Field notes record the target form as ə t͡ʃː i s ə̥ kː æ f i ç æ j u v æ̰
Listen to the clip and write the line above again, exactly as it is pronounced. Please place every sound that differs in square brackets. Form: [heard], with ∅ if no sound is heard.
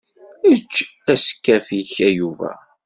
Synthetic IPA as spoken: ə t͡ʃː [æ] s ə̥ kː æ f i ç æ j u v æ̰